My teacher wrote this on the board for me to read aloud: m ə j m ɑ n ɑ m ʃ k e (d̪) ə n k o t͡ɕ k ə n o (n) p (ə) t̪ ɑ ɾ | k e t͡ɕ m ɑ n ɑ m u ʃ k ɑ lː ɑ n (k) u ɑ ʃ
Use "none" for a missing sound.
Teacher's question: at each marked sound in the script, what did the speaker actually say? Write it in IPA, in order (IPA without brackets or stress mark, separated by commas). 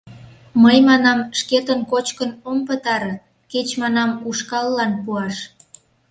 t̪, m, ə, p